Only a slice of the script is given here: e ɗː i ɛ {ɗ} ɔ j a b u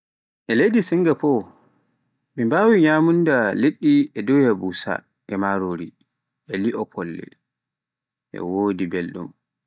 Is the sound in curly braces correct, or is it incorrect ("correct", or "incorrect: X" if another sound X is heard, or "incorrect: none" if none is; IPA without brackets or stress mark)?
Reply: incorrect: d